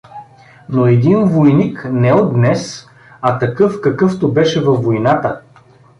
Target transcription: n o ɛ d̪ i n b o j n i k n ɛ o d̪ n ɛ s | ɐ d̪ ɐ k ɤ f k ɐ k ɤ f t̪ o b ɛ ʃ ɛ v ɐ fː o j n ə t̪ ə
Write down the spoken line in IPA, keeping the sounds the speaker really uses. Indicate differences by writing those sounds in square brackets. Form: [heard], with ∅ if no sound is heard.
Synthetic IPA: n o ɛ d̪ i n [v] o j n i k n ɛ o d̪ n ɛ s | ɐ [t̪] ɐ k ɤ f k ɐ k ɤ f t̪ o b ɛ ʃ ɛ v ɐ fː o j n [a] t̪ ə